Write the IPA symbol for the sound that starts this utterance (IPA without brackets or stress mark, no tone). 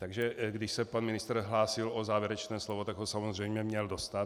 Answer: t̪